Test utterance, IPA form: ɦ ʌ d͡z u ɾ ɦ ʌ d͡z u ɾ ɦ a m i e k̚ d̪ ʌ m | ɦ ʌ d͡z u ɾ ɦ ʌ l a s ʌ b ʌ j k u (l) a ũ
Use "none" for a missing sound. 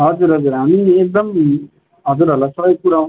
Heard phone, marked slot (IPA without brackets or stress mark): ɾ